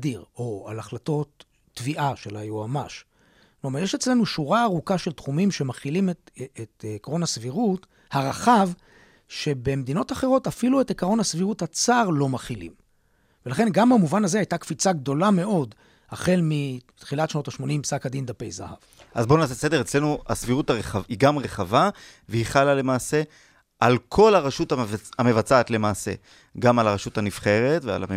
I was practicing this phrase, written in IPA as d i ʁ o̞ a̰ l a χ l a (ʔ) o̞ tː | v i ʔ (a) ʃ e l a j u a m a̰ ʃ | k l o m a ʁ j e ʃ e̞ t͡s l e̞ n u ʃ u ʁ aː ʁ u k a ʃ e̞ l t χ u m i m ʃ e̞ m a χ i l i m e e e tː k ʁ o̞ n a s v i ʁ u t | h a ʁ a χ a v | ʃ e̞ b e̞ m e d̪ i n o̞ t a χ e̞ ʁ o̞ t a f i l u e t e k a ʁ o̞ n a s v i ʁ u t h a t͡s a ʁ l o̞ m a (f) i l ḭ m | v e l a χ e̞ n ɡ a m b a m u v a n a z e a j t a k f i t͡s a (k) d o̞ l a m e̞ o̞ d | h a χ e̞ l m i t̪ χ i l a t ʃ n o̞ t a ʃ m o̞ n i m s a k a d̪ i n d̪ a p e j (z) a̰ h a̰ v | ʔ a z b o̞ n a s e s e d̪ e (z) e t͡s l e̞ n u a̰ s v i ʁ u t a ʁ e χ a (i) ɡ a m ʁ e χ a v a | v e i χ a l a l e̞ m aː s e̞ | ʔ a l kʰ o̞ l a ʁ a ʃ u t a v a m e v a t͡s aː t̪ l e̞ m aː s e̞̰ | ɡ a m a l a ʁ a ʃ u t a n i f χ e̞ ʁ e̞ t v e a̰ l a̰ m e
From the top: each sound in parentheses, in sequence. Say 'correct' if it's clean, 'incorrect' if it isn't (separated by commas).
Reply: incorrect, correct, incorrect, incorrect, correct, incorrect, correct